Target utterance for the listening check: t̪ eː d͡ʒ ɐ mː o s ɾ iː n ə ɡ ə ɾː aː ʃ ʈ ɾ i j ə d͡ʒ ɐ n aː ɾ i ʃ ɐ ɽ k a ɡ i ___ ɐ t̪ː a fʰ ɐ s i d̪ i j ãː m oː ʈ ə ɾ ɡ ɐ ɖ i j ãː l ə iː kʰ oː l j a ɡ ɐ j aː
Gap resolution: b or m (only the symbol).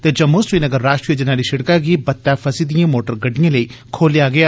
b